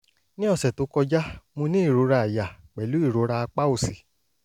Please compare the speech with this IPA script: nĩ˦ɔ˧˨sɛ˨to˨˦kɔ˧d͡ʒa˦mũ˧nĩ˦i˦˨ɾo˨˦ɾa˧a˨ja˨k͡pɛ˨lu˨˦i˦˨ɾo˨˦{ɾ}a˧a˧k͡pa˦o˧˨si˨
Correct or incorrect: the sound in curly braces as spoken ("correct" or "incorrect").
correct